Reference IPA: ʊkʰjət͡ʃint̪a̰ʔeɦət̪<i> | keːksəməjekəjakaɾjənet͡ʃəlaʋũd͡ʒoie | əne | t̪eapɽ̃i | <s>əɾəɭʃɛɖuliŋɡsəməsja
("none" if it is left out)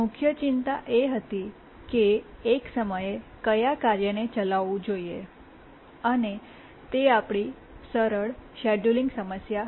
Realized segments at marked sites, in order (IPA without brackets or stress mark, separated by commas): i, s